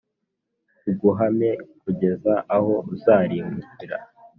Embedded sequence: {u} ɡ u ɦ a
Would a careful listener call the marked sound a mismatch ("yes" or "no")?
no